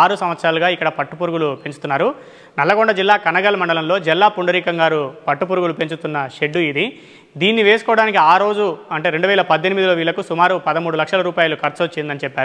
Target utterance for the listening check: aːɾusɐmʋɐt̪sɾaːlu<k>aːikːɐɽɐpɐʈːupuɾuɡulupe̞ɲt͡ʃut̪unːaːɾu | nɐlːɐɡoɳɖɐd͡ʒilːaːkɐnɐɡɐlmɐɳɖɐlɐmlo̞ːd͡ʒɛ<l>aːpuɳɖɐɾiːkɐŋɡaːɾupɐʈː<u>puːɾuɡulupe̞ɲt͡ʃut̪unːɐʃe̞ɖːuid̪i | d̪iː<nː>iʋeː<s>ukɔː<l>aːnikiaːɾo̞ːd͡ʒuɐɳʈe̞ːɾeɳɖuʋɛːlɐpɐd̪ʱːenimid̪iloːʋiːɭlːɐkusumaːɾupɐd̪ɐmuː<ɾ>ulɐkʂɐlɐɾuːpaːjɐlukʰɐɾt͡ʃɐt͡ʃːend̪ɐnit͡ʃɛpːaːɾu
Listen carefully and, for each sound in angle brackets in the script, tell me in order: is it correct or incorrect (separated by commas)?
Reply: incorrect, incorrect, correct, correct, correct, incorrect, incorrect